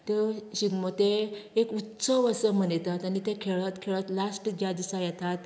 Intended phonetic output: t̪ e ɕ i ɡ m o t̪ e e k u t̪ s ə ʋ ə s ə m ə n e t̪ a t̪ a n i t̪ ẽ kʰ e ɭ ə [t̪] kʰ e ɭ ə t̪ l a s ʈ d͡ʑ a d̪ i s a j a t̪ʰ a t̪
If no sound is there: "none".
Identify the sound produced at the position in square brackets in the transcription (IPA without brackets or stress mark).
t̪